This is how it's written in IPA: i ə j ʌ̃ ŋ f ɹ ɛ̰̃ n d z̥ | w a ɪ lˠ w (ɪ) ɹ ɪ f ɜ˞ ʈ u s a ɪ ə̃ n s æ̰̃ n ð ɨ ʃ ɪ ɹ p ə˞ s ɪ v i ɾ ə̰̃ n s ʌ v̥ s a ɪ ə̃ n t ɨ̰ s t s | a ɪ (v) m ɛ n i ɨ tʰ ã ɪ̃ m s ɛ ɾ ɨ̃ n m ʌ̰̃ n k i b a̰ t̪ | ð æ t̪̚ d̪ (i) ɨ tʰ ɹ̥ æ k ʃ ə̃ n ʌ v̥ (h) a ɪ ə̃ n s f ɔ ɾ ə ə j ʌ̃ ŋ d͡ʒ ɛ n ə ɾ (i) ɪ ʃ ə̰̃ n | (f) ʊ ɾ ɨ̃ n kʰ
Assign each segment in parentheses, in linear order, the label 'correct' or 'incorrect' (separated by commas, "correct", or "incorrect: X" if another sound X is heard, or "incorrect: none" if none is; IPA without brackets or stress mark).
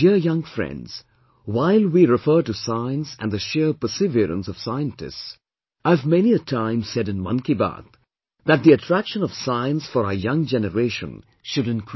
incorrect: i, correct, correct, incorrect: s, incorrect: e, incorrect: ʃ